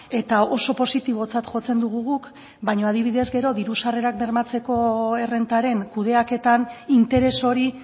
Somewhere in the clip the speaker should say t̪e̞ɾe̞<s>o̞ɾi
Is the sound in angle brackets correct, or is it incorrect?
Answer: correct